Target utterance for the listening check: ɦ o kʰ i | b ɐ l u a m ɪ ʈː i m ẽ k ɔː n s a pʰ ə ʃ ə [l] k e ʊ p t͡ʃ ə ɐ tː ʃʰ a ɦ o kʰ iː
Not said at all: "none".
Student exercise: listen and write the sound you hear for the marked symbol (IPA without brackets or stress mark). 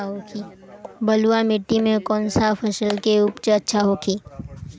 l